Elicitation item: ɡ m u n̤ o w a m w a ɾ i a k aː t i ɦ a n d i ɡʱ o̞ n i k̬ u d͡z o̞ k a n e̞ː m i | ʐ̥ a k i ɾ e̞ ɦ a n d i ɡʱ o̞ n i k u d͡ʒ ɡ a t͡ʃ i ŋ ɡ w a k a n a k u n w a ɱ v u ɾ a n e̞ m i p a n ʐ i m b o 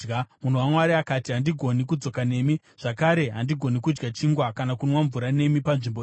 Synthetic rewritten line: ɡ m u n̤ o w a m w a ɾ i a k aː t i ɦ a n d i ɡʱ o̞ n i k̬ u d͡z o̞ k a n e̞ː m i | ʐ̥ a k a ɾ e̞ ɦ a n d i ɡʱ o̞ n i k u d͡ʒ ɡ a t͡ʃ i ŋ ɡ w a k a n a k u n w a ɱ v u ɾ a n e̞ m i p a n ʐ i m b o